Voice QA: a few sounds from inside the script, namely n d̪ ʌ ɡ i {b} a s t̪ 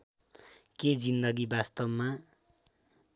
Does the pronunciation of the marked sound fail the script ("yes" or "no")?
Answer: no